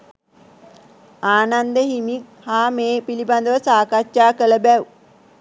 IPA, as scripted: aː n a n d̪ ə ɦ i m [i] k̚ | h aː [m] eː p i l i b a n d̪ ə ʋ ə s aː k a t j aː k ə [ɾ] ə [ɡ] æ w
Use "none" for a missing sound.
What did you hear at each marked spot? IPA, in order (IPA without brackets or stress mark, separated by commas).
i, m, l, b